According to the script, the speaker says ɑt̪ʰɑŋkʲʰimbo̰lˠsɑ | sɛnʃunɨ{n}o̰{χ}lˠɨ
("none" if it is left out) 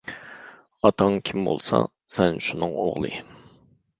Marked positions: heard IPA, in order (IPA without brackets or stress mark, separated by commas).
ŋ, ʁ